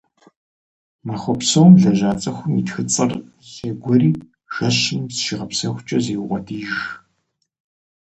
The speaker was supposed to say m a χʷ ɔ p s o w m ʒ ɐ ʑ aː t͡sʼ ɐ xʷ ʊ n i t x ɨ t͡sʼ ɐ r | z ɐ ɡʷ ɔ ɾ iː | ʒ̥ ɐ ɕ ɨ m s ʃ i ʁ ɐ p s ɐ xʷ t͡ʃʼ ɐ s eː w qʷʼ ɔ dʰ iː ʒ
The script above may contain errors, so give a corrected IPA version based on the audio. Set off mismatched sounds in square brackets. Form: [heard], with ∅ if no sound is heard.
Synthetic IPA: m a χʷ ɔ p s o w m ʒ ɐ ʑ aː t͡sʼ ɐ xʷ ʊ [m] i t x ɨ t͡sʼ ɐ r | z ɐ ɡʷ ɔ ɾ iː | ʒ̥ ɐ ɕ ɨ m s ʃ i ʁ ɐ p s ɐ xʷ t͡ʃʼ ɐ [z] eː w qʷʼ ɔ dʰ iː ʒ